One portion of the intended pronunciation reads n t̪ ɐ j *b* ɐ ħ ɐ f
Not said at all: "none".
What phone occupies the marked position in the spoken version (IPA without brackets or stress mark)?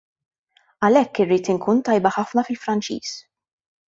b